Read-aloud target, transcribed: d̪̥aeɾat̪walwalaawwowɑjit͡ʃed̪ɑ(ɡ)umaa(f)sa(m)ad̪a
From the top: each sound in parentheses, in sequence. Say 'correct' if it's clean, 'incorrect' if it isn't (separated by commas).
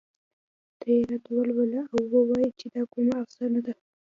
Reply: incorrect, correct, incorrect